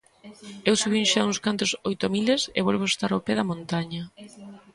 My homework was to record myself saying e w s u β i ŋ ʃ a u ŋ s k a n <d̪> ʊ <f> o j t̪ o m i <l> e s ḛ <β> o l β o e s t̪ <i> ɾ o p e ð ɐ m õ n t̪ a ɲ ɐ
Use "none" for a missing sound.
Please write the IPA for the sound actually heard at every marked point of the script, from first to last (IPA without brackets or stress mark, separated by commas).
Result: t̪, s, l, β, a